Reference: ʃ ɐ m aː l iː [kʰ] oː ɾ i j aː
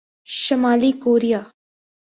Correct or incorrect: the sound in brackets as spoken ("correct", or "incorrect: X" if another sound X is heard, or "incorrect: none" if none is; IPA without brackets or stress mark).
incorrect: k